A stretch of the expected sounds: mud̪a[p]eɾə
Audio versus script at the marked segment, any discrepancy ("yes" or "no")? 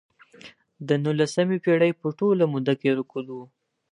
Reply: yes